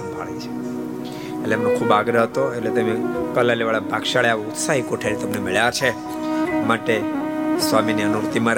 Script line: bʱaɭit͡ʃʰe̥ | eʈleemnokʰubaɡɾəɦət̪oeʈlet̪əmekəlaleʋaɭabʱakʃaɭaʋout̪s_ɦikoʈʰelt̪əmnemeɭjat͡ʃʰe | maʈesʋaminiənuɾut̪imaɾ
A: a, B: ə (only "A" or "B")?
A